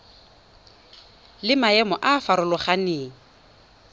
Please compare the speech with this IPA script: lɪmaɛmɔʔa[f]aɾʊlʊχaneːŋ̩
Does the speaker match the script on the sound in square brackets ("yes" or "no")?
yes